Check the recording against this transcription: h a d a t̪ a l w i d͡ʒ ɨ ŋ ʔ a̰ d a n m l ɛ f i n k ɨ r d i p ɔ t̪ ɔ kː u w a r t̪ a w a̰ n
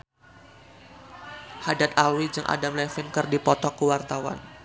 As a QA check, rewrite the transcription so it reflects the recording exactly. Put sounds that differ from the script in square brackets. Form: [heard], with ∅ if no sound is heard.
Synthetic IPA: h a d a t̪ a l w i d͡ʒ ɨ ŋ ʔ a̰ d a [∅] m l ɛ f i n k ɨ r d i p ɔ t̪ ɔ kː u w a r t̪ a w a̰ n

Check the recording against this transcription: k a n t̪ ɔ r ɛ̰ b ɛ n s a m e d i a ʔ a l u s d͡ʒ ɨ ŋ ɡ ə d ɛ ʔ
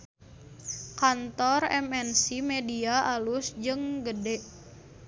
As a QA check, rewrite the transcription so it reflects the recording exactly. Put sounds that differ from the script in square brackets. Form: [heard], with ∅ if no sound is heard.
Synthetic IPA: k a n t̪ ɔ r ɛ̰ [m] ɛ n s [i] m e d i a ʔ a l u s d͡ʒ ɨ ŋ ɡ ə d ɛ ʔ

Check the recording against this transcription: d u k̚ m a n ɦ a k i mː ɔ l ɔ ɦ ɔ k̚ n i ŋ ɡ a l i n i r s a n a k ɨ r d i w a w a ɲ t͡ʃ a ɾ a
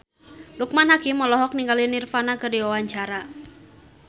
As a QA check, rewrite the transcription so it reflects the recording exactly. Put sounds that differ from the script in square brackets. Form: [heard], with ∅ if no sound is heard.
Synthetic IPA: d u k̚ m a n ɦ a k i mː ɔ l ɔ ɦ ɔ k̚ n i ŋ ɡ a l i n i r [f] a n a k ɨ r d i w a w a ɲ t͡ʃ a ɾ a

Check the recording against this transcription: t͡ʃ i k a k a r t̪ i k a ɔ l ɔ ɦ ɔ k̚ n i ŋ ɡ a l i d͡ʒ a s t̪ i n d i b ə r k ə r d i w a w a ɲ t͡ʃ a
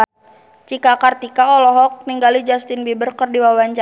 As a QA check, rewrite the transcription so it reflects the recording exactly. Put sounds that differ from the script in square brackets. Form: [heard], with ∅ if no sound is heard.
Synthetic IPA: t͡ʃ i k a k a r t̪ i k a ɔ l ɔ ɦ ɔ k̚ n i ŋ ɡ a l i d͡ʒ a s t̪ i n [b] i b ə r k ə r d i w a w a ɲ t͡ʃ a

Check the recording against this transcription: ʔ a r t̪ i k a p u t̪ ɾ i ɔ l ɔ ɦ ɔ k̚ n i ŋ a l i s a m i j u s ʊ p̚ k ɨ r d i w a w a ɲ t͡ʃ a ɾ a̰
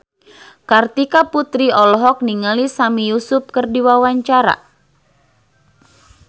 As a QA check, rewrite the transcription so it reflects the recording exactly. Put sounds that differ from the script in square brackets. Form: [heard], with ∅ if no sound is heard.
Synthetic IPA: [k] a r t̪ i k a p u t̪ ɾ i ɔ l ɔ ɦ ɔ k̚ n i ŋ a l i s a m i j u s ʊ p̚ k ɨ r d i w a w a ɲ t͡ʃ a ɾ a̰

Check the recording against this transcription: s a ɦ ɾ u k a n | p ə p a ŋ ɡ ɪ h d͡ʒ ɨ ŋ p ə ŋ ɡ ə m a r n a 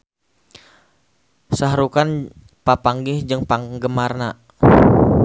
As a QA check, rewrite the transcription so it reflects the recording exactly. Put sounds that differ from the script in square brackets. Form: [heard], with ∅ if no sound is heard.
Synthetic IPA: s a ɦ ɾ u k a n | p [a] p a ŋ ɡ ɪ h d͡ʒ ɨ ŋ p [a] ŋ ɡ ə m a r n a

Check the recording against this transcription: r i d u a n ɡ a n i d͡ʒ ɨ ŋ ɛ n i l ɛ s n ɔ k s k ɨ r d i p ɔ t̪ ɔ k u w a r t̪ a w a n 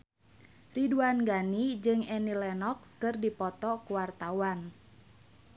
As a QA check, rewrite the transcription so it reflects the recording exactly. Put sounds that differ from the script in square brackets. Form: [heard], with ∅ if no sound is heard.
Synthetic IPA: r i d u a n ɡ a n i d͡ʒ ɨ ŋ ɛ n i l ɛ [∅] n ɔ k s k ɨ r d i p ɔ t̪ ɔ k u w a r t̪ a w a n

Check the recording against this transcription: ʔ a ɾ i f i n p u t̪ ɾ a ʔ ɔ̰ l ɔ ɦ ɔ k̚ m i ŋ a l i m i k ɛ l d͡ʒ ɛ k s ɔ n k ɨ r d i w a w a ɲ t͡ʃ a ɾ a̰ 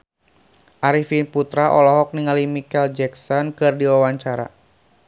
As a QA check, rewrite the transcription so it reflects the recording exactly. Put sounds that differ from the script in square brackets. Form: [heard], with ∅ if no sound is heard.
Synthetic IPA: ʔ a ɾ i f i n p u t̪ ɾ a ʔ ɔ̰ l ɔ ɦ ɔ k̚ [n] i ŋ a l i m i k ɛ l d͡ʒ ɛ k s ɔ n k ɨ r d i w a w a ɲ t͡ʃ a ɾ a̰

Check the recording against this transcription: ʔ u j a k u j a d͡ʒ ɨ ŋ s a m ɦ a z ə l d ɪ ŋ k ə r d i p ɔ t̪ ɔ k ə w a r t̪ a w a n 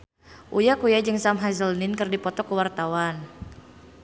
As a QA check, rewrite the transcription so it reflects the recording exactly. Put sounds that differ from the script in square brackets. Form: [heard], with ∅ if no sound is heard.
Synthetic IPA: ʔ u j a k u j a d͡ʒ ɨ ŋ s a m ɦ a z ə l [n] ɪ [n] k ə r d i p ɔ t̪ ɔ k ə w a r t̪ a w a n

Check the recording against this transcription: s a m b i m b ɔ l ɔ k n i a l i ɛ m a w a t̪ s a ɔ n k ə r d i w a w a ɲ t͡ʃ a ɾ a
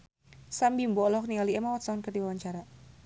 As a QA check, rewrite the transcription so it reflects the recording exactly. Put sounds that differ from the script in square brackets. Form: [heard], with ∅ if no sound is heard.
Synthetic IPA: s a m b i m b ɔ l ɔ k n i a l i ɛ m a w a t̪ s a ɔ n k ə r d i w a w a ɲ t͡ʃ a ɾ a

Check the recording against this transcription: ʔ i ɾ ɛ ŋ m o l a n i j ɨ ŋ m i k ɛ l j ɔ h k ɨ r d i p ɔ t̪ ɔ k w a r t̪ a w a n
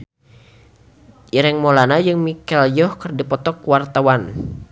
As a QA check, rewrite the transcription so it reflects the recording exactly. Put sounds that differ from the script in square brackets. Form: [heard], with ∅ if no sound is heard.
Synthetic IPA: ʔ i ɾ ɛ ŋ m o l a n [a] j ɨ ŋ m i k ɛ l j ɔ h k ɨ r d i p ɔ t̪ ɔ k w a r t̪ a w a n

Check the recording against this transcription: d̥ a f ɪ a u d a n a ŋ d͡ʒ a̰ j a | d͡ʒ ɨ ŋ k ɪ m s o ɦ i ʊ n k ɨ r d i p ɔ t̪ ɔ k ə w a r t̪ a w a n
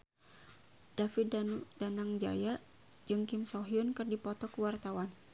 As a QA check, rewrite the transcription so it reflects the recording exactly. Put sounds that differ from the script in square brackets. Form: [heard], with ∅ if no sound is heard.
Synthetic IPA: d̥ a f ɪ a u d a n a ŋ d͡ʒ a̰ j a | d͡ʒ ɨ ŋ k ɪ m s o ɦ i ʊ n k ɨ r d i p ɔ t̪ ɔ k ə w a r t̪ a w a n

